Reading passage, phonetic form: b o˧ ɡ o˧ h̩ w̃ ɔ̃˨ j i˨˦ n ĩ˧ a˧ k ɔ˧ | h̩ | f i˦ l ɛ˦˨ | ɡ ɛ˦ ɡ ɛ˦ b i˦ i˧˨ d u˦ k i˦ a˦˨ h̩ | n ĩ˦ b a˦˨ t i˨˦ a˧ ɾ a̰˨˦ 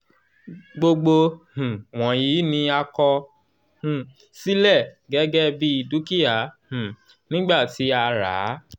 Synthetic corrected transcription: ɡ͡b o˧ ɡ͡b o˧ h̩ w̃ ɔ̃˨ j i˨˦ n ĩ˧ a˧ k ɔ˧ | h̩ | s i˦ l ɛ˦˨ | ɡ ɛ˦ ɡ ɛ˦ b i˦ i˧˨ d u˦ k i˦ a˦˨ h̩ | n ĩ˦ ɡ͡b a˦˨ t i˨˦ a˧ ɾ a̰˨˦